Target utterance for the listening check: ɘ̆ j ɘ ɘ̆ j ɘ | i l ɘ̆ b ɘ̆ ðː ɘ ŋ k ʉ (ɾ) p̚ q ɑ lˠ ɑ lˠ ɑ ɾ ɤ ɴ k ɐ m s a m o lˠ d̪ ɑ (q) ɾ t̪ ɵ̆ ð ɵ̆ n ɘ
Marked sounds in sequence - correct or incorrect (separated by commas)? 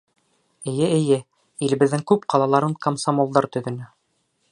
incorrect, incorrect